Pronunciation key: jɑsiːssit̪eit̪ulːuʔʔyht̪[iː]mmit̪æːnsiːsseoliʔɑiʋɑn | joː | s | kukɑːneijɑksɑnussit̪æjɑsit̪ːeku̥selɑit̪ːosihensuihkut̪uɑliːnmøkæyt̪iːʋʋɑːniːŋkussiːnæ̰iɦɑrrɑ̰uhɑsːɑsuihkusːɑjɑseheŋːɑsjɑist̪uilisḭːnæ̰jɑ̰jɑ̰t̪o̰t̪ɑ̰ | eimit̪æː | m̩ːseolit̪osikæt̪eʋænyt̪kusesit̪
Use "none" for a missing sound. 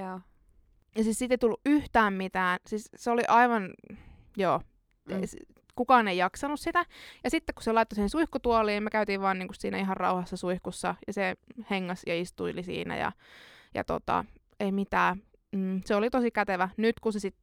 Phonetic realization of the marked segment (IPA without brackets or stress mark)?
æː